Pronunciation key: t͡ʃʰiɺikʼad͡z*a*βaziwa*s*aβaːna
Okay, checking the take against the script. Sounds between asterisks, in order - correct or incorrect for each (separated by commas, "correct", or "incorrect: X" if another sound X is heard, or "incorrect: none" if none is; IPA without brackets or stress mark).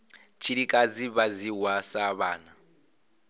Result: incorrect: i, correct